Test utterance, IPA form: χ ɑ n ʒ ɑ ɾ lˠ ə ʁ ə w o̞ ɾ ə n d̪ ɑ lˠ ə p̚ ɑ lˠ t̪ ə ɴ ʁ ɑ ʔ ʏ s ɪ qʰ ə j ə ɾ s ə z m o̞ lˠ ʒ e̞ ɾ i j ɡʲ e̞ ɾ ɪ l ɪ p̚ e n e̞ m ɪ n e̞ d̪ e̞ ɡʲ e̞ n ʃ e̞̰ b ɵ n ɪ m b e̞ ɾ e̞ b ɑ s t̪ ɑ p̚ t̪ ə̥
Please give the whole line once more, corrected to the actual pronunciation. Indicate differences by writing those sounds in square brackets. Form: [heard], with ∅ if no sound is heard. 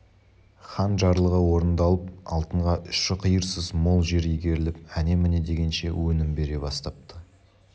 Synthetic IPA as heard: χ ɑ n ʒ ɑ ɾ lˠ ə ʁ ə w o̞ ɾ ə n d̪ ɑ lˠ ə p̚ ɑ lˠ t̪ ə ɴ ʁ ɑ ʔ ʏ [ʃ] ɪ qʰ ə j ə ɾ s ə z m o̞ lˠ ʒ e̞ ɾ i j ɡʲ e̞ ɾ ɪ l ɪ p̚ [æ] n e̞ m ɪ n e̞ d̪ e̞ ɡʲ e̞ n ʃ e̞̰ [w] ɵ n ɪ m b e̞ ɾ e̞ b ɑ s t̪ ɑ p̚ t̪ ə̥